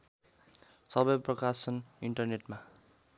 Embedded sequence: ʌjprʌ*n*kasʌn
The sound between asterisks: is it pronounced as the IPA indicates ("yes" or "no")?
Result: no